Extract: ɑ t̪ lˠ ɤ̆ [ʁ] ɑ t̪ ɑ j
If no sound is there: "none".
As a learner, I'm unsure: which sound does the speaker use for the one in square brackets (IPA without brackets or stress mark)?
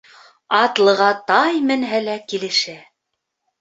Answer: ʁ